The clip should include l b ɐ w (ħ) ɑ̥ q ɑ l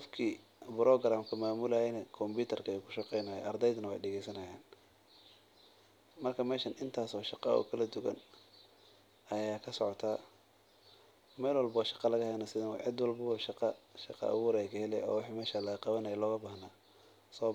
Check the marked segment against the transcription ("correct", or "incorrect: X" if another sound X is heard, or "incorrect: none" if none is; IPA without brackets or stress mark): incorrect: ʃ